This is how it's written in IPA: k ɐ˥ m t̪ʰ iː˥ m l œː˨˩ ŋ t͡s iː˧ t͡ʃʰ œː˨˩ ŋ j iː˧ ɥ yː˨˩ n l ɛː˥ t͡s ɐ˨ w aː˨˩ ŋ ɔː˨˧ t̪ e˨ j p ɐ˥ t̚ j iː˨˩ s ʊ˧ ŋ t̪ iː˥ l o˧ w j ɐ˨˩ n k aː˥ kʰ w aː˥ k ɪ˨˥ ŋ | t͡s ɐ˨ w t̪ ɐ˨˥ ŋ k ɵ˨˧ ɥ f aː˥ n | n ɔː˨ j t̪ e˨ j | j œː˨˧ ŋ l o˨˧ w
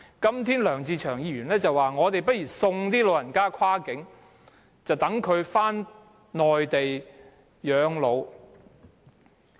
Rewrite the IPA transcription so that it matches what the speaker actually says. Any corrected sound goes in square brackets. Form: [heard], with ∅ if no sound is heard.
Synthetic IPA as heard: k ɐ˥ m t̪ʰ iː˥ [n] l œː˨˩ ŋ t͡s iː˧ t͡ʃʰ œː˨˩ ŋ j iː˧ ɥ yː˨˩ n l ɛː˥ t͡s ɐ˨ w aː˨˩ ŋ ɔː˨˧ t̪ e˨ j p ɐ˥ t̚ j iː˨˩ s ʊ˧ ŋ t̪ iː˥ l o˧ w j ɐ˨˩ n k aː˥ kʰ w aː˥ k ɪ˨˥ ŋ | t͡s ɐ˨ w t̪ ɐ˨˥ ŋ [kʰ] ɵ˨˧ ɥ f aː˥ n | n ɔː˨ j t̪ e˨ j | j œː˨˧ ŋ l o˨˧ w